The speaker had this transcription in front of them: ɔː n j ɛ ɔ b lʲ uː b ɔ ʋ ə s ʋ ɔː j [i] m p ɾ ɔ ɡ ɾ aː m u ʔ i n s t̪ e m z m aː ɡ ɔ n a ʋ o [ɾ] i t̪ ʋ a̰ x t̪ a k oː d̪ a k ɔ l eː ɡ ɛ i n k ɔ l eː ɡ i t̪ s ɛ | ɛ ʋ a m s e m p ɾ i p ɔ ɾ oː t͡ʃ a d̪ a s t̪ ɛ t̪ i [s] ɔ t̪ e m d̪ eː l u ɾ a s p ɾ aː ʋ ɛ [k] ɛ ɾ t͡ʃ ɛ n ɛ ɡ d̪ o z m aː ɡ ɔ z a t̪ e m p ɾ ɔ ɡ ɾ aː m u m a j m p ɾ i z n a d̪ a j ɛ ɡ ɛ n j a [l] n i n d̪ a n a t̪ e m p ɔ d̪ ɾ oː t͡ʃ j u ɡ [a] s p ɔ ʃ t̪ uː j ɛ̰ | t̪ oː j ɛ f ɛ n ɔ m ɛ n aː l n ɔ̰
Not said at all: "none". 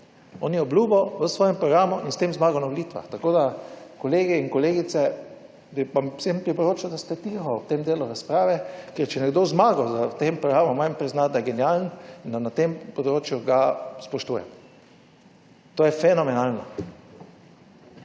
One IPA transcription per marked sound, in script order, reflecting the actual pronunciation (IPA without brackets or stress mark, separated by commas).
ɛ, l, x, k, l, a